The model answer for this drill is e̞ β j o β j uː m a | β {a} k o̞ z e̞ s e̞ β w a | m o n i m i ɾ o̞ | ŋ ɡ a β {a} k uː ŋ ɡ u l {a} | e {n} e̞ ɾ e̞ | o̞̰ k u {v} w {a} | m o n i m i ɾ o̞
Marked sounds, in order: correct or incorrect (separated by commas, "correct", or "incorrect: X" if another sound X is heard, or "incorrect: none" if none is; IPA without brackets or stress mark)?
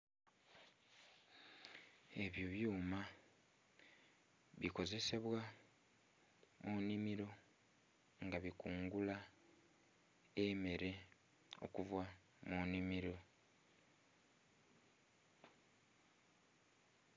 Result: incorrect: i, incorrect: i, correct, incorrect: m, correct, correct